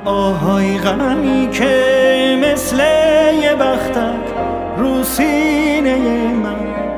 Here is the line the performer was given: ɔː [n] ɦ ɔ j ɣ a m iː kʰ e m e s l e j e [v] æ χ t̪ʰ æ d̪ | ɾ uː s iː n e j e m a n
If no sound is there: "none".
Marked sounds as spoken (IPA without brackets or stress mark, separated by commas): none, b